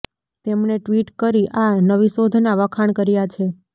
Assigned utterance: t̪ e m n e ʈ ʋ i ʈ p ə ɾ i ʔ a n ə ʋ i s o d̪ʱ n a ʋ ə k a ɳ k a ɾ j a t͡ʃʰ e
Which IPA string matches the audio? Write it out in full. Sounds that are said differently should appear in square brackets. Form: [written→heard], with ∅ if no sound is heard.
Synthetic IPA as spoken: t̪ e m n e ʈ ʋ i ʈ [p→k] ə ɾ i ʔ a n ə ʋ i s o d̪ʱ n a ʋ ə [k→kʰ] a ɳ k [a→ə] ɾ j a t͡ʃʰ e